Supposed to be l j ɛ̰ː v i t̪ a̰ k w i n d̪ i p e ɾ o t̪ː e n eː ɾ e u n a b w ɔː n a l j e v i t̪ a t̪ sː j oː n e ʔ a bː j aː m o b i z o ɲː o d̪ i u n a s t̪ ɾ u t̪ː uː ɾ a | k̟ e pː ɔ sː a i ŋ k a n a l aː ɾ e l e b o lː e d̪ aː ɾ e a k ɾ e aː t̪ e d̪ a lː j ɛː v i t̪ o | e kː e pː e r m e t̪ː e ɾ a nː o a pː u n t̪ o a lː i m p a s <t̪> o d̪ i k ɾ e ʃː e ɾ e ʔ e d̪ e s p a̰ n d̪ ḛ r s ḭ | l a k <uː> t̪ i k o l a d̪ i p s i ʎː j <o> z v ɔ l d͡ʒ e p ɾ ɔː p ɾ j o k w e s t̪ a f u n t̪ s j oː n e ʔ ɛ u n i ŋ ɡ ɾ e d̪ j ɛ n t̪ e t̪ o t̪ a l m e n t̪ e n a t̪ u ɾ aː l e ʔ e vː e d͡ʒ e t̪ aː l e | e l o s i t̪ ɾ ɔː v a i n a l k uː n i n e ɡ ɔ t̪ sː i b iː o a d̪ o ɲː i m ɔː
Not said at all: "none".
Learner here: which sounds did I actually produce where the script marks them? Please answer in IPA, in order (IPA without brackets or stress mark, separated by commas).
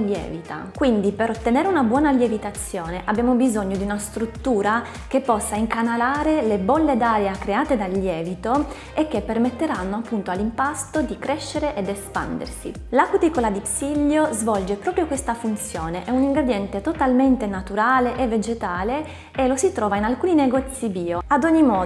t̪, u, o